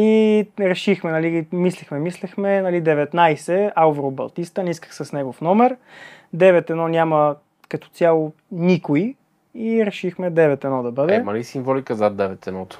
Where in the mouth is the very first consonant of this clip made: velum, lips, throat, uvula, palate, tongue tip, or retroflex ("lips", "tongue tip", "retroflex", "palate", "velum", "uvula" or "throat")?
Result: tongue tip